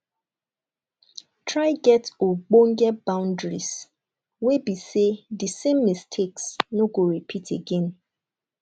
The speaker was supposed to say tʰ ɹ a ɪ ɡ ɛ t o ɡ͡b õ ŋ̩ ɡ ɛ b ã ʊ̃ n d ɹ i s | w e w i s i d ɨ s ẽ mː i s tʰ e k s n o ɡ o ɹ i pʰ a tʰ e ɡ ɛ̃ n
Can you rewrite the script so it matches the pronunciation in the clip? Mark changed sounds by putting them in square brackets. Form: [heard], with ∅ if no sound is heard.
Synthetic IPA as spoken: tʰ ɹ a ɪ ɡ ɛ t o ɡ͡b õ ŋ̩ ɡ ɛ b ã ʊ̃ n d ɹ i s | w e [b] i s [e] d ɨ s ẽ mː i s tʰ e k s n o ɡ o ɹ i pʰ [i] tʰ e ɡ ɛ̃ n